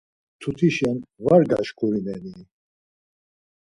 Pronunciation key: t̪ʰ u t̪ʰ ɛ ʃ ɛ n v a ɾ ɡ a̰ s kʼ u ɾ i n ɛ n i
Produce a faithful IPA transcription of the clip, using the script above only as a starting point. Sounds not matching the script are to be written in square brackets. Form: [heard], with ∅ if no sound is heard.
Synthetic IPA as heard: t̪ʰ u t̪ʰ [i] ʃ ɛ n v a ɾ ɡ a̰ [ʃ] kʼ u ɾ i n ɛ n i